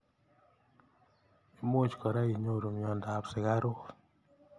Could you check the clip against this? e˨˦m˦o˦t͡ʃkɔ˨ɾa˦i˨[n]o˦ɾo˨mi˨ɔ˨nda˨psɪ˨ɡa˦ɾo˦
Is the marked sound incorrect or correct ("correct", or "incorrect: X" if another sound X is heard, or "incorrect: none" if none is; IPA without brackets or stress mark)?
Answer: incorrect: ɲ